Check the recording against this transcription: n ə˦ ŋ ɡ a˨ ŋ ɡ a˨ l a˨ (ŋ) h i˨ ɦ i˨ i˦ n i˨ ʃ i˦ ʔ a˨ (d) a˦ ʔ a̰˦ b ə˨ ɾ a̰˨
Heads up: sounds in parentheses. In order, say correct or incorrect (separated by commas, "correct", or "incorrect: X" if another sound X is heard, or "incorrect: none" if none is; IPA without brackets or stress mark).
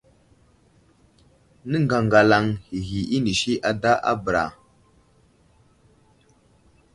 correct, correct